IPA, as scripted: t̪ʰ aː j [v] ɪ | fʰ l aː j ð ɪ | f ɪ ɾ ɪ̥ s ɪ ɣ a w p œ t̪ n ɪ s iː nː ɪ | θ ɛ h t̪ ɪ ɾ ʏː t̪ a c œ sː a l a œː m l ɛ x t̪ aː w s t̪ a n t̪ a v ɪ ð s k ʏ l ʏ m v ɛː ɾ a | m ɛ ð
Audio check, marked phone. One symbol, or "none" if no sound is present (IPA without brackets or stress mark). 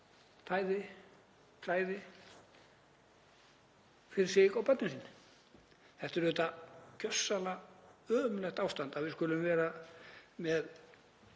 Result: ð